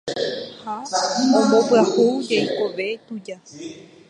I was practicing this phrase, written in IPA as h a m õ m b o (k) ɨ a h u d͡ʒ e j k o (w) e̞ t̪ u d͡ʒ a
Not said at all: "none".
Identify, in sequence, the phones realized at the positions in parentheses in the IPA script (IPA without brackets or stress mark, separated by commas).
p, ʋ